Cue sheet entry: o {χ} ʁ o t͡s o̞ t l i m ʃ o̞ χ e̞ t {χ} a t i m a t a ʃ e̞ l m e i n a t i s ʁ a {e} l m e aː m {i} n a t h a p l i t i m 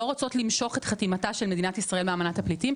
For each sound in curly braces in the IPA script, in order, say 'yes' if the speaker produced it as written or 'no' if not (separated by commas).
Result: no, yes, yes, no